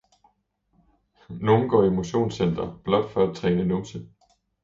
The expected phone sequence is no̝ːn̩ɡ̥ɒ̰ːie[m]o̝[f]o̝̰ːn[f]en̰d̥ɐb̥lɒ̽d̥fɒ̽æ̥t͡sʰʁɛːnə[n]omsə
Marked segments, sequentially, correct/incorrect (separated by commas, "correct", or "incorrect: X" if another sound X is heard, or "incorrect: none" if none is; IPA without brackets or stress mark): correct, incorrect: ɕ, incorrect: s, correct